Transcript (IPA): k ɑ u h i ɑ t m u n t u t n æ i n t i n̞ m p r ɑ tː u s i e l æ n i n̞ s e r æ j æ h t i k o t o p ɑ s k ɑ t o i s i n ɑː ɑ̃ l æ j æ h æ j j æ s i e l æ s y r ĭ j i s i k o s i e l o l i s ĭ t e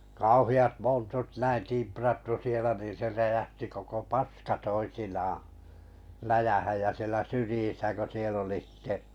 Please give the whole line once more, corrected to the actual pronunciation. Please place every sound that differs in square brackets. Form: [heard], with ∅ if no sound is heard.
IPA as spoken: k ɑ u h i ɑ t m [o] n t u t n æ i n t i [∅] m p r ɑ tː u s i e l æ n i n̞ s e r æ j æ h t i k o [k] o p ɑ s k ɑ t o i s i n ɑː ɑ̃ l æ j æ h æ j j æ s i e l æ s y r ĭ j i s [æ] k o s i e l o l i s ĭ t e